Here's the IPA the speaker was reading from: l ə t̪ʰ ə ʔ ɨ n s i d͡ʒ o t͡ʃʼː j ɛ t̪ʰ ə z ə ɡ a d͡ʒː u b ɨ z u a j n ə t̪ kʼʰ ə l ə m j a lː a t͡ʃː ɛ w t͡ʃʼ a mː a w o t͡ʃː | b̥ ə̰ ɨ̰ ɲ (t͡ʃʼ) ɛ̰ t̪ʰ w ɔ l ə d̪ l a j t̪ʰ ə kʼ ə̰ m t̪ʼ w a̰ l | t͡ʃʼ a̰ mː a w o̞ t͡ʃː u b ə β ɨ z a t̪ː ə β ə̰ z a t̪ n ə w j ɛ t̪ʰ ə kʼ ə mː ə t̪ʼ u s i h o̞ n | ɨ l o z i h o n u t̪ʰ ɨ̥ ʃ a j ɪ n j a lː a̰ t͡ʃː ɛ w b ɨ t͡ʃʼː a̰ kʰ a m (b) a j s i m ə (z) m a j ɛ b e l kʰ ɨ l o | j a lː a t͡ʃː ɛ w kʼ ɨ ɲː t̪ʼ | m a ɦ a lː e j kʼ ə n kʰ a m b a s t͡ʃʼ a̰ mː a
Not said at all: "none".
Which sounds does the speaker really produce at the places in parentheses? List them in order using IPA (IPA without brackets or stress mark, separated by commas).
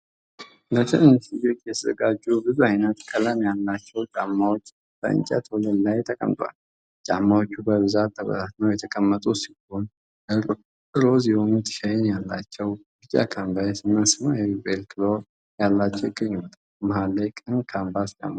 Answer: t͡ʃʼ, b, s